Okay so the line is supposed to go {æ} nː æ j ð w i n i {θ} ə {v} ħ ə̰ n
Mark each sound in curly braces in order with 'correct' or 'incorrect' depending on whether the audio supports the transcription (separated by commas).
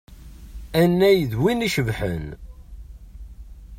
correct, incorrect, correct